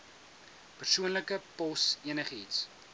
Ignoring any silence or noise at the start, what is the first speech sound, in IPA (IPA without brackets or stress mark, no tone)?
p